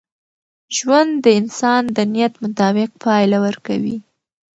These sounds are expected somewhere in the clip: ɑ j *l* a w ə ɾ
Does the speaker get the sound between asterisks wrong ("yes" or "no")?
no